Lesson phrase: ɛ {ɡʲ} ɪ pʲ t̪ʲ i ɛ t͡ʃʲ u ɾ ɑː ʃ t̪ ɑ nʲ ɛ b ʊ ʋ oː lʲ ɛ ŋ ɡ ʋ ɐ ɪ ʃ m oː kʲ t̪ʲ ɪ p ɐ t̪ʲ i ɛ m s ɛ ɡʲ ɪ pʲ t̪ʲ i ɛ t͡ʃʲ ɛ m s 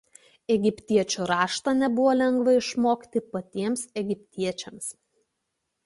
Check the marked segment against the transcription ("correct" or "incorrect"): correct